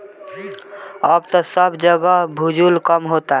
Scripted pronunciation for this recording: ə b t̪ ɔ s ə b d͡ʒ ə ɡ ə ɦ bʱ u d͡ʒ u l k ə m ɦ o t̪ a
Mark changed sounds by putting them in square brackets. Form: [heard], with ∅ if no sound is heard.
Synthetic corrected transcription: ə b t̪ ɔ s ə b d͡ʒ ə ɡ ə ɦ bʱ u d͡ʒ u l k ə m ɦ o t̪ a